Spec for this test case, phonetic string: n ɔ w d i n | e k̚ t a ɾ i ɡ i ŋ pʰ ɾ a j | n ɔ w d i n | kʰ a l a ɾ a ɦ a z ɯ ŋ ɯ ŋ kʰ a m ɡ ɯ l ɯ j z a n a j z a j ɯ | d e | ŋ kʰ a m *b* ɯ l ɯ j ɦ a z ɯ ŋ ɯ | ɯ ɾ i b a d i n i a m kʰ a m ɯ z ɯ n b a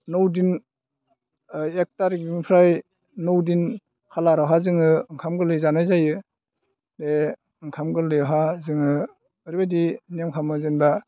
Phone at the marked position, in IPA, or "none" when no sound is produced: ɡ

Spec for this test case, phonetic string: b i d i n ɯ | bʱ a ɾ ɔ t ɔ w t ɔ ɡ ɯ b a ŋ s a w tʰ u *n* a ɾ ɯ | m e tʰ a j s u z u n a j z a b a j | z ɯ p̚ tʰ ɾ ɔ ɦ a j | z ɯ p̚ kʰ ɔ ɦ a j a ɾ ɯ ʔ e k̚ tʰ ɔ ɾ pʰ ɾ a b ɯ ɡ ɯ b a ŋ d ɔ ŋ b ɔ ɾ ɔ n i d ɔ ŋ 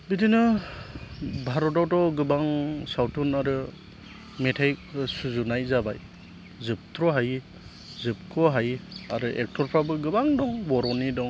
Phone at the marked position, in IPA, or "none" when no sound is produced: n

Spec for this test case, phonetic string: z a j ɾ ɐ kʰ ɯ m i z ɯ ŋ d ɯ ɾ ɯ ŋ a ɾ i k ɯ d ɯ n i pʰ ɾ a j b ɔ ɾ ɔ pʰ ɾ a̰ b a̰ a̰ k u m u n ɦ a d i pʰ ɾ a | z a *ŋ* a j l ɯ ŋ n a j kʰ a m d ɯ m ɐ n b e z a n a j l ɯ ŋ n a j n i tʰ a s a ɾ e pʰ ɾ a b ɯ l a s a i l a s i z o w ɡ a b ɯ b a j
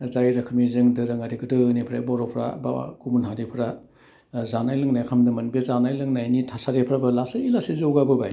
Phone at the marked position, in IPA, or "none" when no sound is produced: n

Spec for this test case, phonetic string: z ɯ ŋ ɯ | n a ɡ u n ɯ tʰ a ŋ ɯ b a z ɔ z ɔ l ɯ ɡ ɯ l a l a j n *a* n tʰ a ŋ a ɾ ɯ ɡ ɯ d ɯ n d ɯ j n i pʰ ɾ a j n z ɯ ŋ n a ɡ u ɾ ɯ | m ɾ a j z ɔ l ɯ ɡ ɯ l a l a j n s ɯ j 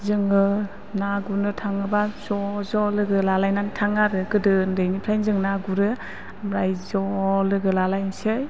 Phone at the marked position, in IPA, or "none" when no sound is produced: a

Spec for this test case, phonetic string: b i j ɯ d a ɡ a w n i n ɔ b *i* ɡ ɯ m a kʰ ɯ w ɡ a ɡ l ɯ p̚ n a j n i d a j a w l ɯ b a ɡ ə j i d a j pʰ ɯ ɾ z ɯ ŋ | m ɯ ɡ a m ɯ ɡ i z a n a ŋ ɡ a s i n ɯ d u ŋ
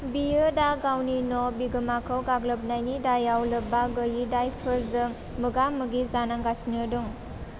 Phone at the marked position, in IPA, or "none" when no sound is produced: i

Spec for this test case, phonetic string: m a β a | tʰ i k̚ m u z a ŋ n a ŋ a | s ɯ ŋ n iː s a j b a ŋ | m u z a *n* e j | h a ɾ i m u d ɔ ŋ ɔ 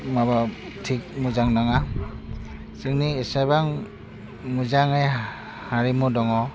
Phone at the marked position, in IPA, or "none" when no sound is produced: ŋ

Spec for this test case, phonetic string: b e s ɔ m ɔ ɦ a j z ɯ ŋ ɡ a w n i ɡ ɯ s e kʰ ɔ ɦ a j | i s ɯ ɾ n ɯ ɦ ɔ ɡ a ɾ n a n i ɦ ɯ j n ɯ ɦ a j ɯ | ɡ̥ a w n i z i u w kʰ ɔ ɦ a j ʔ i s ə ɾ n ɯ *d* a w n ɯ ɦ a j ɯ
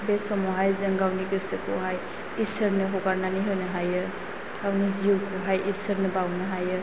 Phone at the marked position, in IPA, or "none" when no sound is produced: b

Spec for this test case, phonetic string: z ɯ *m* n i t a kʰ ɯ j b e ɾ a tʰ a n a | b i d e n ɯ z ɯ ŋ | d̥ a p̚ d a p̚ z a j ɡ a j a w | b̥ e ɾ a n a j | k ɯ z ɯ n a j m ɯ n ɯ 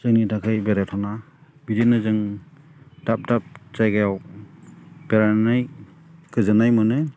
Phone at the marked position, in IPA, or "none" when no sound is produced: ŋ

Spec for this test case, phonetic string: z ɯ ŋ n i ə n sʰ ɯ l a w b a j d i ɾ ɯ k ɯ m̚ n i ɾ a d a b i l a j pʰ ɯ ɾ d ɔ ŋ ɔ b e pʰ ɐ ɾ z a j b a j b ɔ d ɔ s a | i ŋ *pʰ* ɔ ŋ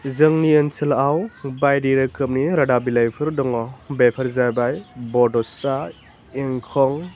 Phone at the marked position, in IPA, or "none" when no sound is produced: kʰ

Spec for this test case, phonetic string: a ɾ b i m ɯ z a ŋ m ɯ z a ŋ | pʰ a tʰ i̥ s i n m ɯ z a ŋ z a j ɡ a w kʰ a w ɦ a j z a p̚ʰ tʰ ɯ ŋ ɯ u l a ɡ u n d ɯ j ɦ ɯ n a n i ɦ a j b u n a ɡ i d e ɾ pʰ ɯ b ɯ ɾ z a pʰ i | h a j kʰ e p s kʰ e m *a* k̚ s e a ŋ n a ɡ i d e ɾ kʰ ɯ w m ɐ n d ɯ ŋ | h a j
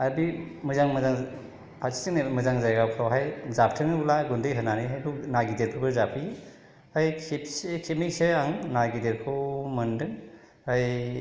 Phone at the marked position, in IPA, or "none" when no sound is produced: i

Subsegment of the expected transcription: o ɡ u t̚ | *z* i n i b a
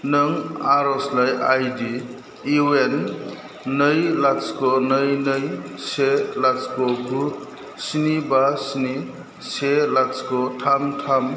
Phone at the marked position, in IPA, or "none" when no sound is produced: s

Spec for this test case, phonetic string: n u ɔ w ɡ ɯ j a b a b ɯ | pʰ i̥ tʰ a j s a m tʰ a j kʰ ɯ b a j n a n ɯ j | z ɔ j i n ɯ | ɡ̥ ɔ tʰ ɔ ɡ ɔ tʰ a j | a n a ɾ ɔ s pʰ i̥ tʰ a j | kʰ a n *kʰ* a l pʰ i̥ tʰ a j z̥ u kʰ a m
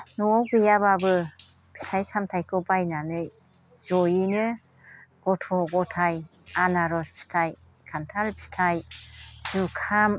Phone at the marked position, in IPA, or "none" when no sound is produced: tʰ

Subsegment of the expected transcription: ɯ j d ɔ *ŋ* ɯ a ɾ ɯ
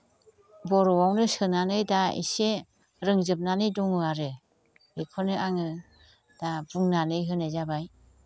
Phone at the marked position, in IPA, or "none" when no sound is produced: ŋ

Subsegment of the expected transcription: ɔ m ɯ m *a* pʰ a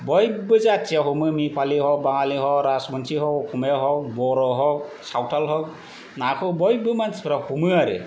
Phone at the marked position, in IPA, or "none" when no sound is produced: i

